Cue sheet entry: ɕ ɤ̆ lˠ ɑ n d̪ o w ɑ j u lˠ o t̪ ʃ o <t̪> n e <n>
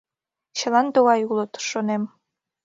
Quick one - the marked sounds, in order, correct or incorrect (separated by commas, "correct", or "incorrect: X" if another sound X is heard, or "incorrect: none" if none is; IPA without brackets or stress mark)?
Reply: incorrect: none, incorrect: m